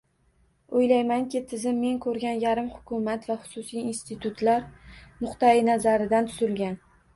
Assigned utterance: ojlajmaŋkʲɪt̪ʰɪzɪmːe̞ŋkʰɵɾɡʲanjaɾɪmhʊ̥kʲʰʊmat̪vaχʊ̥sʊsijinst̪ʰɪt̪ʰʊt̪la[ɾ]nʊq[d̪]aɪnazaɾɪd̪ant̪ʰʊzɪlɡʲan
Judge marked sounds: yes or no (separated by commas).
yes, no